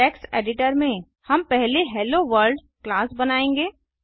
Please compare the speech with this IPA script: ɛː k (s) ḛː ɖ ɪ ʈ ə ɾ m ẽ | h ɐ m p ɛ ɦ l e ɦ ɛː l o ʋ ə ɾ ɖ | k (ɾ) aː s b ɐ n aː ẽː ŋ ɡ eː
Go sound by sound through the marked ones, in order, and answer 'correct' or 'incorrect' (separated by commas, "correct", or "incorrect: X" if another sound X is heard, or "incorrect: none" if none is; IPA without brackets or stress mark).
correct, incorrect: l